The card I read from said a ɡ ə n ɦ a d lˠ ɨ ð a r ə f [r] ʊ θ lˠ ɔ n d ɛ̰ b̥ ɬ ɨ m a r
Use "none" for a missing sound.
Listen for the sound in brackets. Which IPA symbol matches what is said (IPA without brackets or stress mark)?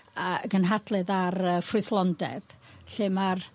r